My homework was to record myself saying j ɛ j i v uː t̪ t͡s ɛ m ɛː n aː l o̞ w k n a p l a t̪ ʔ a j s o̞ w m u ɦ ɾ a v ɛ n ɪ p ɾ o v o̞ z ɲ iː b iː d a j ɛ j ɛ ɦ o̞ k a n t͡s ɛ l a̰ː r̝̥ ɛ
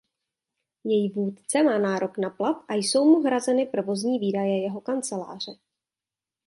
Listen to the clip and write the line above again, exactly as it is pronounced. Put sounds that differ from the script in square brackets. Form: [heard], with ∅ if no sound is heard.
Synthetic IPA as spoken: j ɛ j i v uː t̪ t͡s ɛ m [aː] n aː [ɾ] o̞ [∅] k n a p l a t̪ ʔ a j s o̞ w m u ɦ ɾ a [z] ɛ n ɪ p ɾ o v o̞ z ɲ iː [v] iː d a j ɛ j ɛ ɦ o̞ k a n t͡s ɛ l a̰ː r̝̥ ɛ